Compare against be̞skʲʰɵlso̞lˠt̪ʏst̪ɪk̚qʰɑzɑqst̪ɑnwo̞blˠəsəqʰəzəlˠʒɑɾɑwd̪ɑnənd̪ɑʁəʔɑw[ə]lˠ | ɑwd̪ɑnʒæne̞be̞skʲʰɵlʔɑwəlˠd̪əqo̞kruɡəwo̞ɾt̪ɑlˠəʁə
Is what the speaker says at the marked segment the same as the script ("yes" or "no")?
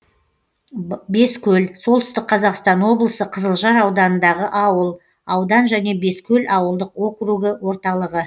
yes